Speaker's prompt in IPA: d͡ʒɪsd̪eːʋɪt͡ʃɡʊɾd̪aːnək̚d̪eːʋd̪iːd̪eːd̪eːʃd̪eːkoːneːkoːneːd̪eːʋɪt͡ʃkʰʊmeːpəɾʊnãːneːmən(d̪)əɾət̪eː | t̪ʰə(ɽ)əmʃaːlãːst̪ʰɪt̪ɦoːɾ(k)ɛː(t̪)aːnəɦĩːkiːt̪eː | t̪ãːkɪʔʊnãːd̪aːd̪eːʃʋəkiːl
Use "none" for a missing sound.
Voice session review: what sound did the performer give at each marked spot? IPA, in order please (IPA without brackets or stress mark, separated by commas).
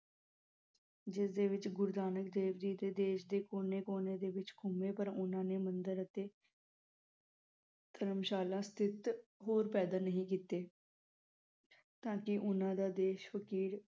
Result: d̪, ɾ, p, d̪